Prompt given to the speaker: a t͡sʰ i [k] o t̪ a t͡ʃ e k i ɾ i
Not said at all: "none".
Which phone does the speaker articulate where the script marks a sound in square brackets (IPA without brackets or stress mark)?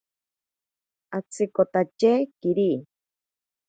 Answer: k